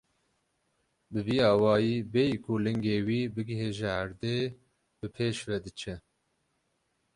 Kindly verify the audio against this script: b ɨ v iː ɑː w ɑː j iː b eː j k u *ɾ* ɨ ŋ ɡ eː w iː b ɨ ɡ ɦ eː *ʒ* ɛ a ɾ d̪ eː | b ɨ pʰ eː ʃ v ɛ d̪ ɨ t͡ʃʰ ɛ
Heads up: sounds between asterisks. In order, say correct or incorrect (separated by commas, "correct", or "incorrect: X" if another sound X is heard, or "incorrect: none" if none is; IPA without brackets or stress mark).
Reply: incorrect: l, correct